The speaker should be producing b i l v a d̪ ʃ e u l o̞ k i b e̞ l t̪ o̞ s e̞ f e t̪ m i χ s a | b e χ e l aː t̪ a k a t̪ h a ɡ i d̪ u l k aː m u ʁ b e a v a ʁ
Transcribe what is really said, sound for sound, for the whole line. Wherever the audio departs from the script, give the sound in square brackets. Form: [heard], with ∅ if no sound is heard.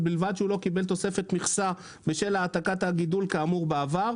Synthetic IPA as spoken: b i l v a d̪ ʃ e u l o̞ k i b e̞ l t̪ o̞ s e̞ f e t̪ m i χ s a | b e [ʃ] e l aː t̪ a k a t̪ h a ɡ i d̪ u l k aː m u ʁ b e a v a ʁ